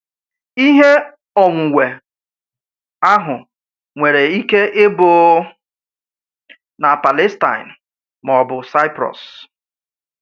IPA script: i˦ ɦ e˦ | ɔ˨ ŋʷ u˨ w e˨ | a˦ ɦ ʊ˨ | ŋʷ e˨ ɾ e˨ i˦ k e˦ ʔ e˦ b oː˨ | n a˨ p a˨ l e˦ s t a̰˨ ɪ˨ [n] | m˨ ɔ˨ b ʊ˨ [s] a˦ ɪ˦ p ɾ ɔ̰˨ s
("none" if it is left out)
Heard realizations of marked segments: n, s

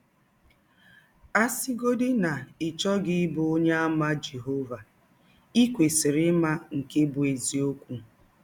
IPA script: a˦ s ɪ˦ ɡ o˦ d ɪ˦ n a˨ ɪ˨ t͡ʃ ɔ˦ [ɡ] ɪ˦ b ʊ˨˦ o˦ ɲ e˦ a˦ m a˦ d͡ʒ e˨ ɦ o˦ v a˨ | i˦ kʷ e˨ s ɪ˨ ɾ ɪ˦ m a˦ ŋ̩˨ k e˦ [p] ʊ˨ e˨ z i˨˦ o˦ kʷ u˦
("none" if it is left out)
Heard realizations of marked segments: ɡ, b

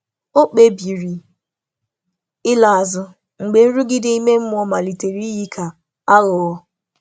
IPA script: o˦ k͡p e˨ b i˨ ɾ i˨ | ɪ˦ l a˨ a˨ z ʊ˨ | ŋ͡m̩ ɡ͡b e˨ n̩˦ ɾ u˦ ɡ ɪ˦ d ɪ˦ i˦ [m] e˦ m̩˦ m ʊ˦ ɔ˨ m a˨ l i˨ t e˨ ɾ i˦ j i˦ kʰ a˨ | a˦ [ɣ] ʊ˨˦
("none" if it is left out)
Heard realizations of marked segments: m, ɣ

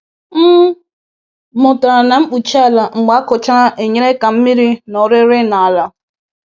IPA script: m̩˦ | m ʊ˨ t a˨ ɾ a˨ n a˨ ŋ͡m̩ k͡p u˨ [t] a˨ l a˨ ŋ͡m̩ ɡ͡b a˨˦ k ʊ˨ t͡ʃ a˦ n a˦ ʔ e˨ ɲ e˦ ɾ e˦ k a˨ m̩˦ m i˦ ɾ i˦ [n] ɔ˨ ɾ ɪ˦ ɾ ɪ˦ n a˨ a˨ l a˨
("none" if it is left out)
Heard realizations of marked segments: t͡ʃ, n

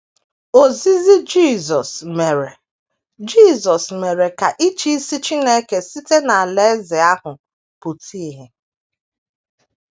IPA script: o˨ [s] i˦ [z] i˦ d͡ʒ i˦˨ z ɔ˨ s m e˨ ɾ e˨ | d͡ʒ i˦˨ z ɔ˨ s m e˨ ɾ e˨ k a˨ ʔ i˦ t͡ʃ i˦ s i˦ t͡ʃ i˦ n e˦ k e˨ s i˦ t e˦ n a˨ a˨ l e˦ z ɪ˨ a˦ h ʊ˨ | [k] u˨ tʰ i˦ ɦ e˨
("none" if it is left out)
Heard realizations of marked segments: z, z, p

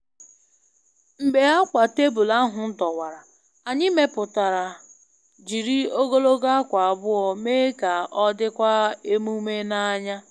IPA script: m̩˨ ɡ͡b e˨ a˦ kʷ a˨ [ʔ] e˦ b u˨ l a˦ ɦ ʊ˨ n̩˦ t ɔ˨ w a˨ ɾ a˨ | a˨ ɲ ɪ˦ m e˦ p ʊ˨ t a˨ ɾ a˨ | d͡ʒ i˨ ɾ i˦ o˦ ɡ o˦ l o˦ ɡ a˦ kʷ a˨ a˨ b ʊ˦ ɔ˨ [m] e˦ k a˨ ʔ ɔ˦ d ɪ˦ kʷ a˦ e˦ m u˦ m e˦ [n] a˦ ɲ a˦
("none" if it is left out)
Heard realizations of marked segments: t, m, n

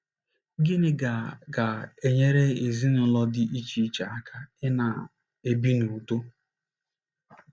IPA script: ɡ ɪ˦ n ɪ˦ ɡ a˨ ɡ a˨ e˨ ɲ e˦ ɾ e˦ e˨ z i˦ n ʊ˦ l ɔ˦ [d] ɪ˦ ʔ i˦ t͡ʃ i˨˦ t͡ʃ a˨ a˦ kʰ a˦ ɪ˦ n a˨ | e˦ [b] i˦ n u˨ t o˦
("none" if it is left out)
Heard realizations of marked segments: d, b

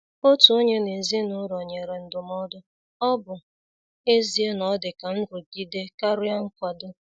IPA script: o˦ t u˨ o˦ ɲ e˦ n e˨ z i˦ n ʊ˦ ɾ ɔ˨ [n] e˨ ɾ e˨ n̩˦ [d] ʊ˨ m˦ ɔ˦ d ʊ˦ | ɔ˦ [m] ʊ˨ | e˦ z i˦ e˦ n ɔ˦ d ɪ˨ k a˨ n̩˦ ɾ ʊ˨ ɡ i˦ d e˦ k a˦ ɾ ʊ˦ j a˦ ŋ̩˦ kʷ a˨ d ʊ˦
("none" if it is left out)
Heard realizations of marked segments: ɲ, d, b

